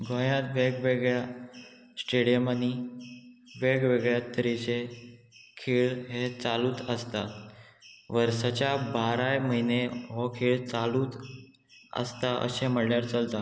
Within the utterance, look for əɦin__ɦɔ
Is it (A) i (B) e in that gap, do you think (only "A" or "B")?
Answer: B